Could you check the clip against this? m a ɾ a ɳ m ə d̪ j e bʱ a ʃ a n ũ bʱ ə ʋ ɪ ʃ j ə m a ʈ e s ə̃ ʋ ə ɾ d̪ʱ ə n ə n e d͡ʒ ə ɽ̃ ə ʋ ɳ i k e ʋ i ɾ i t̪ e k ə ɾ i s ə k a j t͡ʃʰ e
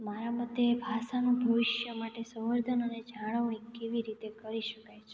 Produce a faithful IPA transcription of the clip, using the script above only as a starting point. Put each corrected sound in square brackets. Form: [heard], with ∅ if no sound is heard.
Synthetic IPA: m a ɾ a [∅] m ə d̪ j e bʱ a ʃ a n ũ bʱ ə ʋ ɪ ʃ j ə m a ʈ e s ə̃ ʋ ə ɾ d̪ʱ ə n ə n e d͡ʒ [a] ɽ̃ ə ʋ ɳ i k e ʋ i ɾ i t̪ e k ə ɾ i [ʃ] ə k a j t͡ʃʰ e